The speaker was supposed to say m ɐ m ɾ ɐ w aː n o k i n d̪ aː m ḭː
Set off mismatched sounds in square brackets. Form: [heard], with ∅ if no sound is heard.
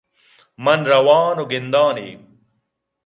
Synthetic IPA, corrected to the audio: m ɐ [n] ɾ ɐ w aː n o [ɡ] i n d̪ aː [n] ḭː

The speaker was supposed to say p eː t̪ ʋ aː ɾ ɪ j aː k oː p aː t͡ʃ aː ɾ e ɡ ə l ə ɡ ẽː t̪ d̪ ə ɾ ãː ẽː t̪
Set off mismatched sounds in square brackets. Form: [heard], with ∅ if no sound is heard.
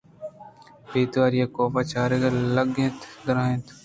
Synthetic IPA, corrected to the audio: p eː t̪ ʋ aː ɾ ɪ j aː k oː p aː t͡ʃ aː ɾ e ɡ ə l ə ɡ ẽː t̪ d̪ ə ɾ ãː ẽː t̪

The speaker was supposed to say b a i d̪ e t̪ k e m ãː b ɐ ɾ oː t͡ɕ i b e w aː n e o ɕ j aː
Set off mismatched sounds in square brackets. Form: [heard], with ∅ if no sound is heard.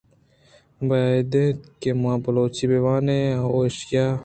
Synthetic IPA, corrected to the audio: b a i d̪ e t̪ k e m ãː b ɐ [l] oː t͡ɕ i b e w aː n e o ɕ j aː

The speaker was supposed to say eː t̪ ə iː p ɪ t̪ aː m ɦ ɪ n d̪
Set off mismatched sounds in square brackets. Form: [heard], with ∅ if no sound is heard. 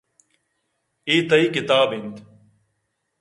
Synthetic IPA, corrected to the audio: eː t̪ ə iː [k] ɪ t̪ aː [b] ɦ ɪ n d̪

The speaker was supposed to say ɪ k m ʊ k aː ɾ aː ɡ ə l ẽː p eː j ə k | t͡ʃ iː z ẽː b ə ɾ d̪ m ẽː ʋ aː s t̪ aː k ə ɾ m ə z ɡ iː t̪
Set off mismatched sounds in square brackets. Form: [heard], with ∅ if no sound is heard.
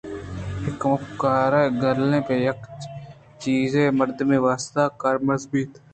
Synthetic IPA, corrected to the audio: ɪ k m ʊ k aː ɾ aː ɡ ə l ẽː p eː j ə k | t͡ʃ iː z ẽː [m] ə ɾ d̪ m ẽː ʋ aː s t̪ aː k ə ɾ m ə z [b] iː t̪

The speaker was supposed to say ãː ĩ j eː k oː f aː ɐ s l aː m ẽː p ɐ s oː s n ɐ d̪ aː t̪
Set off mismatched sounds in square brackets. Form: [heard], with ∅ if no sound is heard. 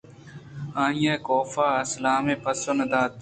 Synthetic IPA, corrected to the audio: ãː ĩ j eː k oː f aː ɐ s l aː m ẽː p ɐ s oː [∅] n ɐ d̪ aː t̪

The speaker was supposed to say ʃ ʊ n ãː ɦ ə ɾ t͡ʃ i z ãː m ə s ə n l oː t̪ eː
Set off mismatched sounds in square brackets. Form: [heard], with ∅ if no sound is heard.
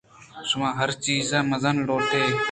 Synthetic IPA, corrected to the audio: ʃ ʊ [m] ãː ɦ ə ɾ t͡ʃ [iː] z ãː m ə [z] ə n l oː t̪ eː

